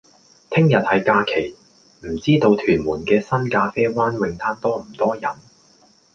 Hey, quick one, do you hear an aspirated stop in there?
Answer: yes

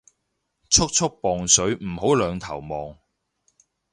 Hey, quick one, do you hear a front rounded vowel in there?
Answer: yes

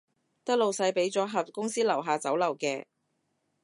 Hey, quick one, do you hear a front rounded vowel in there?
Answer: no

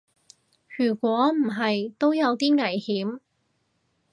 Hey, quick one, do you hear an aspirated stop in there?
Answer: no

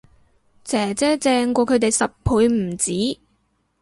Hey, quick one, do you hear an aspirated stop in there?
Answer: yes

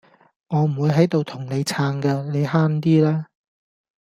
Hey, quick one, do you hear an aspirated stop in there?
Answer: yes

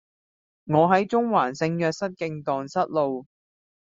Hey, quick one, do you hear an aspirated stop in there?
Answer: no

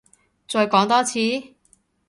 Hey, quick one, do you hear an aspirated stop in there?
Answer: yes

